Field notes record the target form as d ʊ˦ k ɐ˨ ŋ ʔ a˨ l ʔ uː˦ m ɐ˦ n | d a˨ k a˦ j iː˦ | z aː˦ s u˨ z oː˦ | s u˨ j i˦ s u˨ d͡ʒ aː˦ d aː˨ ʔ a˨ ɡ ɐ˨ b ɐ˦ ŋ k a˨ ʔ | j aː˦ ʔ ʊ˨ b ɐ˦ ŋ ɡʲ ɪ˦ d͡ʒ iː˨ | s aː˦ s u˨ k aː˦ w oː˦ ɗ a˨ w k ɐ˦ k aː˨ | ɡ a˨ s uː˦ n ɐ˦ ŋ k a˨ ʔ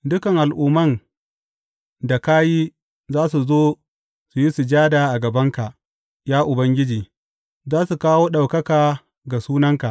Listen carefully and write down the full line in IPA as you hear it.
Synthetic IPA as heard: d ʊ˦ k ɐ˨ ŋ ʔ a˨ l ʔ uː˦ m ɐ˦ n | d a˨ k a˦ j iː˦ | z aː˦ s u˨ z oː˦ | s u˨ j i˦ s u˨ d͡ʒ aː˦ d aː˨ ʔ a˨ ɡ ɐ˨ b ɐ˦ ŋ k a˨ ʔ | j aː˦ ʔ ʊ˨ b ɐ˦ ŋ ɡʲ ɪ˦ d͡ʒ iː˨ | z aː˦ s u˨ k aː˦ w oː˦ ɗ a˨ w k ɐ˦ k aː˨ | ɡ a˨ s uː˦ n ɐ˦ ŋ k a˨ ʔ